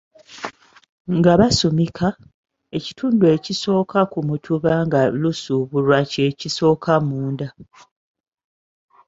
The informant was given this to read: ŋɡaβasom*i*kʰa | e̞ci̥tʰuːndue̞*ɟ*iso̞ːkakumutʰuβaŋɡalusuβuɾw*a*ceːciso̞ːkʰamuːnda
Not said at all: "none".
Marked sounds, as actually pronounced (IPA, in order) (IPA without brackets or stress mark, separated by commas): i, c, a